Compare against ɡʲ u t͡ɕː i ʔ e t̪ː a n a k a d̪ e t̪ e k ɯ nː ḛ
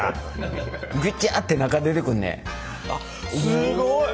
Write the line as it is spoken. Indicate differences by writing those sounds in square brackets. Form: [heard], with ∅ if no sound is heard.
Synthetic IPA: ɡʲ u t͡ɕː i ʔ [a] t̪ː [e] n a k a d̪ e t̪ e k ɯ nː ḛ